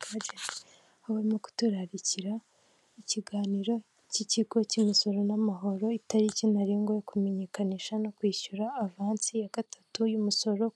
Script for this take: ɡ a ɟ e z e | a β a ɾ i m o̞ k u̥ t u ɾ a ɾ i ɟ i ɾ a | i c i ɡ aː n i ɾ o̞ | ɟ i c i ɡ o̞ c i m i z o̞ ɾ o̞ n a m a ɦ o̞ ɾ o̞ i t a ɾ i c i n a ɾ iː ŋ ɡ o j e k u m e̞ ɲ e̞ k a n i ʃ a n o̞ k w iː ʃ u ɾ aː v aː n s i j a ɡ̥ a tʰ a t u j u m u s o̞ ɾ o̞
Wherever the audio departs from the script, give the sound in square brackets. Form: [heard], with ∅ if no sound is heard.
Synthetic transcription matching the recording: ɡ a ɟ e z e | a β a ɾ i m o̞ k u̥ t u ɾ a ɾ i [c] i ɾ a | i c i ɡ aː n i ɾ o̞ | [c] i c i ɡ o̞ c i m i [s] o̞ ɾ o̞ n a m a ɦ o̞ ɾ o̞ i t a ɾ i c i n a ɾ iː ŋ ɡ o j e k u m e̞ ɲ e̞ k a n i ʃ a n o̞ k w iː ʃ u ɾ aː v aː n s i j a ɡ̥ a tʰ a t u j u m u s o̞ ɾ o̞